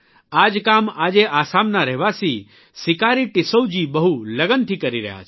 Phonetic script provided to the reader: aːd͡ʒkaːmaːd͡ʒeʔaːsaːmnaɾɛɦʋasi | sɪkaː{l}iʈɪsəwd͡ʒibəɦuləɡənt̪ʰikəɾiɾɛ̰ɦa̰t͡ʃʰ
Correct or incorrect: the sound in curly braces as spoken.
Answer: incorrect: ɾ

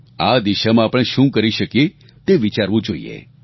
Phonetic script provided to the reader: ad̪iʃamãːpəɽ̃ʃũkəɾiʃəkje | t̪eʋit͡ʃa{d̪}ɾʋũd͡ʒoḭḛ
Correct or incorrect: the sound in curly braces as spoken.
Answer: incorrect: none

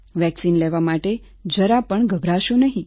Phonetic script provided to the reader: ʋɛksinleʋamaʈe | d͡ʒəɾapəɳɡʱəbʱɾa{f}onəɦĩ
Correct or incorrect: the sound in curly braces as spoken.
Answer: incorrect: ʃ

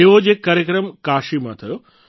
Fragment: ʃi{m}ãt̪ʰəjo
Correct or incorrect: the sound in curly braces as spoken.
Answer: correct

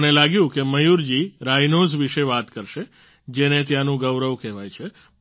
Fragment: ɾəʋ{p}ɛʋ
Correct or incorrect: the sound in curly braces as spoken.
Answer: incorrect: k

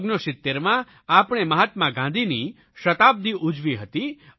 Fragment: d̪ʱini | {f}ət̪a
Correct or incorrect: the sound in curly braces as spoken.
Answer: incorrect: ʃ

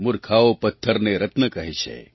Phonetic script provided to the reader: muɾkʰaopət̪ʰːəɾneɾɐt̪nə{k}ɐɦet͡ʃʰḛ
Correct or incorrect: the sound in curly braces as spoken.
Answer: correct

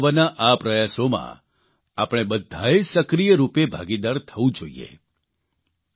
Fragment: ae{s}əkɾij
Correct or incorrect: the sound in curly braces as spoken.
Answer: correct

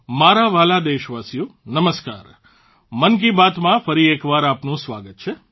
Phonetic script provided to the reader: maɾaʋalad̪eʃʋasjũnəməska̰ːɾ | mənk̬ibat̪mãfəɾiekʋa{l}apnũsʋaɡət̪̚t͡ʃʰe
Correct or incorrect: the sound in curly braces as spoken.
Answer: incorrect: ɾ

